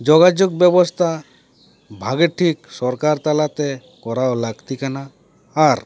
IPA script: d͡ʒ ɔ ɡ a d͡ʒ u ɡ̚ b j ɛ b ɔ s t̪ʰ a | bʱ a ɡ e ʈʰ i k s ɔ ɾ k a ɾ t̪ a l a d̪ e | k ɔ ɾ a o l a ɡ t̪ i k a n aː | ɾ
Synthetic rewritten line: d͡ʒ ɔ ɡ a d͡ʒ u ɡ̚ b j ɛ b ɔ s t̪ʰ a | bʱ a ɡ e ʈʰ i k s ɔ ɾ k a ɾ t̪ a l a t̪ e | k ɔ ɾ a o l a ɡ t̪ i k a n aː | ɾ